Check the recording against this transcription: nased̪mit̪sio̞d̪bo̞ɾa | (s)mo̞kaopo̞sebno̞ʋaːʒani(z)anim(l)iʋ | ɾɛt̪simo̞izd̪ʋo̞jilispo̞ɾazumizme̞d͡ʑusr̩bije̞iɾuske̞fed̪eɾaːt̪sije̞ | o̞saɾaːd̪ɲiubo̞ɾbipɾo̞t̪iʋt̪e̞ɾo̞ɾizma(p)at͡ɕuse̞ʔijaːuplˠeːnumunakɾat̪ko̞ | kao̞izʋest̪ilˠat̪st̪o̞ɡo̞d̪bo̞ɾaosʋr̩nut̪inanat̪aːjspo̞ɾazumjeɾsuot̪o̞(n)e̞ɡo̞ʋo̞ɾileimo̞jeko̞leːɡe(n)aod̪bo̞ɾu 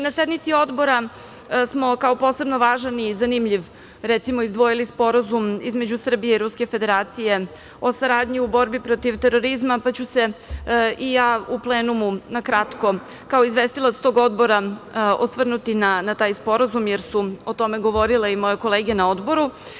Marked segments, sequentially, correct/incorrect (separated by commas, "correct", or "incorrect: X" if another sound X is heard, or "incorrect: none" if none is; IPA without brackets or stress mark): correct, correct, incorrect: ʎ, correct, incorrect: m, correct